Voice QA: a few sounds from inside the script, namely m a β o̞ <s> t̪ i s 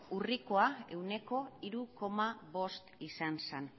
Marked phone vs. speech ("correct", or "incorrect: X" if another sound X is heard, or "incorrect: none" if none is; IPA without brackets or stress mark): correct